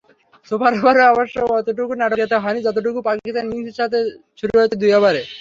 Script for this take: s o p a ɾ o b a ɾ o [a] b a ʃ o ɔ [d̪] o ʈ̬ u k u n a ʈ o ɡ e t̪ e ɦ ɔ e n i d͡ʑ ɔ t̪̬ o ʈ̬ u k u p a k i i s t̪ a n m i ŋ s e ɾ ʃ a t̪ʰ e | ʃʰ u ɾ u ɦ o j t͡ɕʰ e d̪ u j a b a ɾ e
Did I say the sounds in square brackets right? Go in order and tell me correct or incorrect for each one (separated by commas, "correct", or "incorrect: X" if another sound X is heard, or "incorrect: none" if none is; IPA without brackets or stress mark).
correct, incorrect: t̪